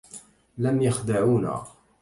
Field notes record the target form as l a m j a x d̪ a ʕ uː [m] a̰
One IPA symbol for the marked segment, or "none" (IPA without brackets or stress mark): n